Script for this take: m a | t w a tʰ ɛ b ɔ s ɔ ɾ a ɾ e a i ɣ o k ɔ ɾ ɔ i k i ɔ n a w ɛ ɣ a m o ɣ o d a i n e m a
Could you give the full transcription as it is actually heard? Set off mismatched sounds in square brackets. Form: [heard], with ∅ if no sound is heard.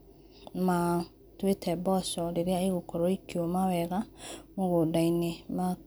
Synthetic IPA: m a | t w [e] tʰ ɛ b ɔ s ɔ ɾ [e] ɾ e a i ɣ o k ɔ ɾ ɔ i k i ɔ [m] a w ɛ ɣ a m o ɣ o d a i n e m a